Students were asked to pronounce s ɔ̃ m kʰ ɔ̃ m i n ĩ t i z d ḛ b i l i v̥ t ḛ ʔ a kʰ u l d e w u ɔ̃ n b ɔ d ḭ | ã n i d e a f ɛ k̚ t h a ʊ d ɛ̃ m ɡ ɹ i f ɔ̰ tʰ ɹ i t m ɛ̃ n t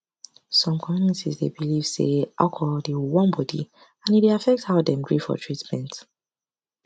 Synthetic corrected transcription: s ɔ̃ m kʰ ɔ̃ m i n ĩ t i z d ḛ b i l i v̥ s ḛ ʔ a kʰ ɔ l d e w w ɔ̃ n b ɔ d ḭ | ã n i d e a f ɛ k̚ t h a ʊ d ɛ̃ m ɡ ɹ i f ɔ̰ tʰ ɹ i t m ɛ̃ n t